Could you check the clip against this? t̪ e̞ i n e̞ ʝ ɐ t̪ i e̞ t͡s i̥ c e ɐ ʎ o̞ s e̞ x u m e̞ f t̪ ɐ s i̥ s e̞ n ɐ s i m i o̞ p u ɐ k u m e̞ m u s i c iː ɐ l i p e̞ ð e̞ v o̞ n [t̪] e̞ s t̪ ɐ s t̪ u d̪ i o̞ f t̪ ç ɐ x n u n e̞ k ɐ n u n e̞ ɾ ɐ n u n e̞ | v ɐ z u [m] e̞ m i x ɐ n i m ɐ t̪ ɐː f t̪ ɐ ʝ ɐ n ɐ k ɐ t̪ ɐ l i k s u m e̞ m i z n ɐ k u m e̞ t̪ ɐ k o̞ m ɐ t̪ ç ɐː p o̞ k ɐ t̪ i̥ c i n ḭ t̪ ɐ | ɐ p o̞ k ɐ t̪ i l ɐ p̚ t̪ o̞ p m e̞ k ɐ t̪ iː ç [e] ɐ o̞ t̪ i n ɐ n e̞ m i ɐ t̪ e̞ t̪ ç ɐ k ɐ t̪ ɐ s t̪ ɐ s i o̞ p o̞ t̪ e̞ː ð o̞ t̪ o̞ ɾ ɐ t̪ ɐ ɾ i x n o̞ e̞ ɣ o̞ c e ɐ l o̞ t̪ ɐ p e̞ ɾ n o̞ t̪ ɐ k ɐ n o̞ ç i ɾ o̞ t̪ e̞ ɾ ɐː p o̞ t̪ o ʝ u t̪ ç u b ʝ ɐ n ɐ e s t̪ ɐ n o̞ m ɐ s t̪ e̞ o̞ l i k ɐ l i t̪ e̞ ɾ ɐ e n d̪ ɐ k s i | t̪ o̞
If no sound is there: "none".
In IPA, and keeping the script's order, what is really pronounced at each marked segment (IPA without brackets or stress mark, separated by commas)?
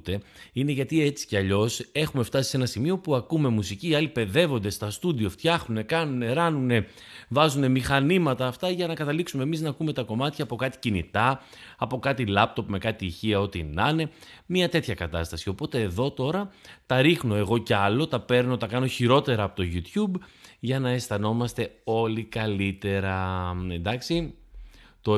d̪, n, i